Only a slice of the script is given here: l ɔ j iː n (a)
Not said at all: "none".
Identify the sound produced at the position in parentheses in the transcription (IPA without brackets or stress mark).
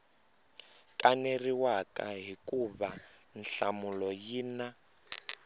a